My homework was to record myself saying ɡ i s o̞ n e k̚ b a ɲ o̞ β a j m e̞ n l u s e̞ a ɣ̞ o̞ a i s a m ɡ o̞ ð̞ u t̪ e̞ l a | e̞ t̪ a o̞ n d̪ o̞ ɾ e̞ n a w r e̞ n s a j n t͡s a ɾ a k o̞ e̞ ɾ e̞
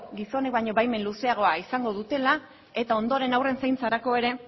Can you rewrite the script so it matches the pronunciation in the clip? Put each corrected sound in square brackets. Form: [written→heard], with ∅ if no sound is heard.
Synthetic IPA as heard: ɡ i s o̞ n e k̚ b a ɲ o̞ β a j m e̞ n l u s e̞ a ɣ̞ o̞ a i s a [m→ŋ] ɡ o̞ ð̞ u t̪ e̞ l a | e̞ t̪ a o̞ n d̪ o̞ ɾ e̞ n a w r e̞ n s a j n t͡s a ɾ a k o̞ e̞ ɾ e̞